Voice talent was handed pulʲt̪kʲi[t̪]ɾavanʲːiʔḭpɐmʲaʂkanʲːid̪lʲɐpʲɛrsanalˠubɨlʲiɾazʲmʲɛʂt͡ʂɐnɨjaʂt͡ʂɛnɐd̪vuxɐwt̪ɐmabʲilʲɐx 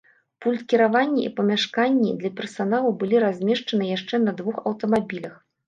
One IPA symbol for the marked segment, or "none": none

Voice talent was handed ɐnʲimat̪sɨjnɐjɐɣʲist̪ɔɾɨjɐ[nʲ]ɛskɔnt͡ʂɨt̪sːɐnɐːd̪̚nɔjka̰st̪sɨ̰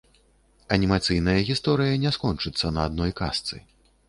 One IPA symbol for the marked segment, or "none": nʲ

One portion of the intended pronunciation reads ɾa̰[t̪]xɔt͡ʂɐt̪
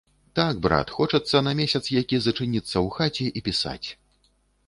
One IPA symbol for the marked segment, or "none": t̪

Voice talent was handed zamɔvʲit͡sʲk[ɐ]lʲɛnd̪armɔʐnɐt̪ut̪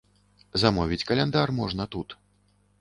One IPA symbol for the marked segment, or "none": ɐ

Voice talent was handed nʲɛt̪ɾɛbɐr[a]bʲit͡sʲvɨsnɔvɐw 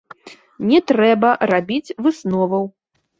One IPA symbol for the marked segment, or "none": a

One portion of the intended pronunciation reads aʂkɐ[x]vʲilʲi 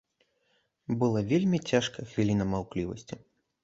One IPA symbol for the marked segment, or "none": x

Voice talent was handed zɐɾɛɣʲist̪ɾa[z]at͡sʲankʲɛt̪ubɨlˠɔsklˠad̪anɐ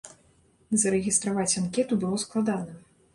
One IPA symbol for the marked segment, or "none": v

